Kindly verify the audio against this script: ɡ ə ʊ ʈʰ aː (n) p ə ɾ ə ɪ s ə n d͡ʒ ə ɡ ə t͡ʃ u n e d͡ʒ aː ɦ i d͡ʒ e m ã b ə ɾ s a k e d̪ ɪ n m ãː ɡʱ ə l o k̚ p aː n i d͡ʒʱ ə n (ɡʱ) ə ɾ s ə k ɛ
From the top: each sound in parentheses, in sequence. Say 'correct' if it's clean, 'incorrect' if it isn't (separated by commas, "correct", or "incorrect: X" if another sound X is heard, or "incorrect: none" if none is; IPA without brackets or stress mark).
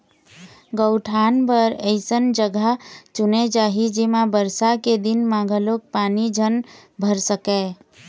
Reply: correct, incorrect: bʱ